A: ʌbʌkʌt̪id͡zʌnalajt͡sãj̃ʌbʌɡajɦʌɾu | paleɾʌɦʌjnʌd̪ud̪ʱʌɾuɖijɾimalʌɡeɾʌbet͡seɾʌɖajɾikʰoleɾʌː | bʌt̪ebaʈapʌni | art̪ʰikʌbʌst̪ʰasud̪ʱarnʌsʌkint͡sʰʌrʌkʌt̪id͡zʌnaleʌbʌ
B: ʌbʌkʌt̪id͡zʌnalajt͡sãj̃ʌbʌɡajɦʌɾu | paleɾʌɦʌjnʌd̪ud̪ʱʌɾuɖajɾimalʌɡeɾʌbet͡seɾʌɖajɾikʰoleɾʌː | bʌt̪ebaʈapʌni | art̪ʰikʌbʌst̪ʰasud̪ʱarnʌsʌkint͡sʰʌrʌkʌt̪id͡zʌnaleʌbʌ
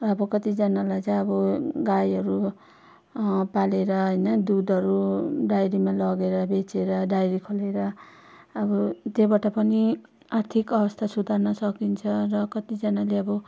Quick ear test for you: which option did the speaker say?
B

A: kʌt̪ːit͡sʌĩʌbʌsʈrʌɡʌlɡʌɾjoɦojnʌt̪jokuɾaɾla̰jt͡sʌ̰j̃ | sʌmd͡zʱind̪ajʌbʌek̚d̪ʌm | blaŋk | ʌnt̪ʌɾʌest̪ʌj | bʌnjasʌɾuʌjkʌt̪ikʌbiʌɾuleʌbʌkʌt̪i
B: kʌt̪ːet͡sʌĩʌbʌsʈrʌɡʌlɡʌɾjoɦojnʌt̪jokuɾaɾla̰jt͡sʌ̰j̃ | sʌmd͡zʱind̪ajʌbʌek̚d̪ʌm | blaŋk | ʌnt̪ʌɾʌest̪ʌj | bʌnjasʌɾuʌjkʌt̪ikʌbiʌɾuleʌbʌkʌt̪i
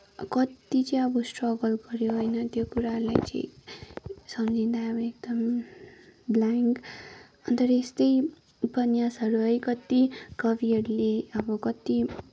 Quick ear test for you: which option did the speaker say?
A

